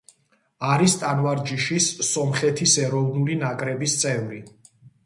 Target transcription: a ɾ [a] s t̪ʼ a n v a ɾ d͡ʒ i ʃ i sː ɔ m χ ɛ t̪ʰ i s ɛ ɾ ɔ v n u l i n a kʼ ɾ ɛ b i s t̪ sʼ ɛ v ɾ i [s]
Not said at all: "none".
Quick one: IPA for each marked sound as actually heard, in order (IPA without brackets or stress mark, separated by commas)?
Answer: i, none